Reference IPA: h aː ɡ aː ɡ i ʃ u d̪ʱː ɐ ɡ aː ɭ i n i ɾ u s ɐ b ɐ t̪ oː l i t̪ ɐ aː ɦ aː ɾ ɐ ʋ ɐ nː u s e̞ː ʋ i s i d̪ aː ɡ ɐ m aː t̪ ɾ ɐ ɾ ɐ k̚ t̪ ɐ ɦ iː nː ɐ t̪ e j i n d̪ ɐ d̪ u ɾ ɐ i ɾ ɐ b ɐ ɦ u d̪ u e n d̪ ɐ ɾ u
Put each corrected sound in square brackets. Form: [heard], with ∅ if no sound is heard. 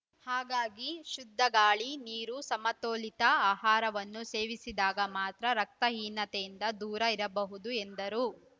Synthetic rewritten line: h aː ɡ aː ɡ i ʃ u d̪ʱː ɐ ɡ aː ɭ i n [iː] ɾ u s ɐ [m] ɐ t̪ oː l i t̪ ɐ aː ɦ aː ɾ ɐ ʋ ɐ nː u s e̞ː ʋ i s i d̪ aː ɡ ɐ m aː t̪ ɾ ɐ ɾ ɐ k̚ t̪ ɐ ɦ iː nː ɐ t̪ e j i n d̪ ɐ d̪ [uː] ɾ ɐ i ɾ ɐ b ɐ ɦ u d̪ u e n d̪ ɐ ɾ u